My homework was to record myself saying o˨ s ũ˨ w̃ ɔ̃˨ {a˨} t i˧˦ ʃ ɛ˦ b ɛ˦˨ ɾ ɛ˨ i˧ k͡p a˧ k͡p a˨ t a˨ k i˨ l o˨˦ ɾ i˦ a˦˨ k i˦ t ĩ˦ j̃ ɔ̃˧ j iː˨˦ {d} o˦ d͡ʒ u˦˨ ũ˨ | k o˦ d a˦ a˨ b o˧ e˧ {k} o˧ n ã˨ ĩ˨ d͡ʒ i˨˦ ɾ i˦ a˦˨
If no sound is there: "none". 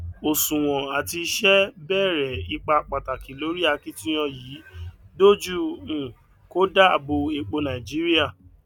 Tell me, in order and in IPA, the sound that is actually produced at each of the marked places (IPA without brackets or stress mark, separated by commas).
a˨, d, k͡p